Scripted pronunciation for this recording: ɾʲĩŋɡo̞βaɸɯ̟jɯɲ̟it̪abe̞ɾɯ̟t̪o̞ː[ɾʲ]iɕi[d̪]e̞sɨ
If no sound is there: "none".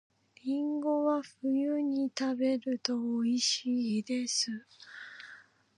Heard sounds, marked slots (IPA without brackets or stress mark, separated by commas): none, d̪